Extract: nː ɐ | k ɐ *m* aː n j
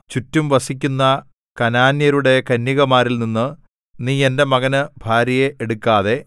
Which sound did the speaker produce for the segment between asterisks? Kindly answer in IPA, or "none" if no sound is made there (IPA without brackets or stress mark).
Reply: n